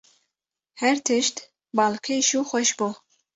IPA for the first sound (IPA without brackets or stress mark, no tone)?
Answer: h